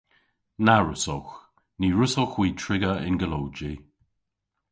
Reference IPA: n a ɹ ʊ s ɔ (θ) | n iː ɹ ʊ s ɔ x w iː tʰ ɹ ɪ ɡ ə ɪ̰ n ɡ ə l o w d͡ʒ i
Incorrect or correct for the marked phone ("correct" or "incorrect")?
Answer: incorrect